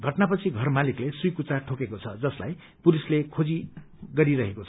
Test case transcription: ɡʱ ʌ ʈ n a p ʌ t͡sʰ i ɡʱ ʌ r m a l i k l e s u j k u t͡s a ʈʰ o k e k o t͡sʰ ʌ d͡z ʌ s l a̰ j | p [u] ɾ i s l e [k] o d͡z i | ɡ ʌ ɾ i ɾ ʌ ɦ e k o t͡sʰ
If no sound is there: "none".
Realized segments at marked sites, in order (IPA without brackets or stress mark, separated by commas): u, kʰ